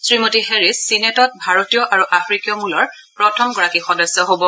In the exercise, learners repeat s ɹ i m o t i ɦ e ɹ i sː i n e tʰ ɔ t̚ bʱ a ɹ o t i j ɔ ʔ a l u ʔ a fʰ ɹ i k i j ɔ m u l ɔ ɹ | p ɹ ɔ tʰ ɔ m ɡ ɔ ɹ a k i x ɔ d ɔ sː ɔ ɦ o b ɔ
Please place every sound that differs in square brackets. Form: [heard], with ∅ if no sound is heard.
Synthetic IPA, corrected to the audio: s ɹ i m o t i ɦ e ɹ i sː i n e [t] ɔ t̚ bʱ a ɹ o t i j ɔ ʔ a [ɹ] u ʔ a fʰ ɹ i k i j ɔ m u l ɔ ɹ | p ɹ ɔ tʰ ɔ m ɡ ɔ ɹ a k i x ɔ d ɔ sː ɔ ɦ o b ɔ